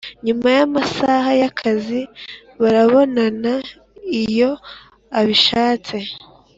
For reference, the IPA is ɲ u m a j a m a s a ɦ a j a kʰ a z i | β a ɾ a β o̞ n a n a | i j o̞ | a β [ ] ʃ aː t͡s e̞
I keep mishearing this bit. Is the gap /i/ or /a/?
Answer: i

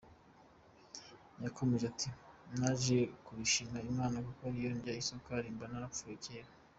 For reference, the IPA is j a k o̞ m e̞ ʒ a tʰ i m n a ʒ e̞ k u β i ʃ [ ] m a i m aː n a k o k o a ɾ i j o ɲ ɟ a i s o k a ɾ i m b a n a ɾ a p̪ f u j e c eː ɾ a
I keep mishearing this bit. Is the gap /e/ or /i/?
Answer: i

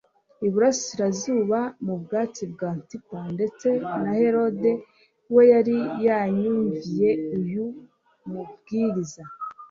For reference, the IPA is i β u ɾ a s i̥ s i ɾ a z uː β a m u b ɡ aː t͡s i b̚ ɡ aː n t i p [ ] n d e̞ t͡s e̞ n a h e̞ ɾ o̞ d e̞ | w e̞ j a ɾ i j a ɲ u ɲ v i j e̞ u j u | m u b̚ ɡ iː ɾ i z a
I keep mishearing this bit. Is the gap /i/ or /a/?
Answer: a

